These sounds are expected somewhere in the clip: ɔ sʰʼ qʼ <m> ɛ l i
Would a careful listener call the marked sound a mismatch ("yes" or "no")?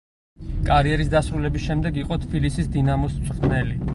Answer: yes